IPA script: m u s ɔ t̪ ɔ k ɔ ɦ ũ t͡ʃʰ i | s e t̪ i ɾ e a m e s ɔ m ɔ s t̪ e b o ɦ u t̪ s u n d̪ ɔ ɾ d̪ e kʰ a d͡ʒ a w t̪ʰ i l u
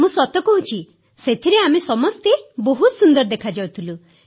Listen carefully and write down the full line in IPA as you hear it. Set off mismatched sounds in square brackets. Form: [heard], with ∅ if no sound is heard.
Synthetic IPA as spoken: m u s ɔ t̪ ɔ k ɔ ɦ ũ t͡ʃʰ i | s e [t̪ʰ] i ɾ e a m e s ɔ m ɔ s t̪ e b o ɦ u t̪ s u n d̪ ɔ ɾ d̪ e kʰ a d͡ʒ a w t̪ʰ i l u